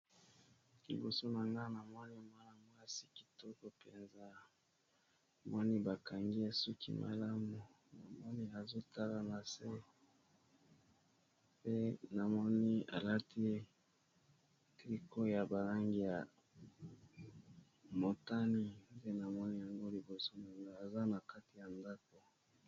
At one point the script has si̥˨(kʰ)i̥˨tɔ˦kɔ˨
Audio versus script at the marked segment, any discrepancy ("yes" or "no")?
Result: yes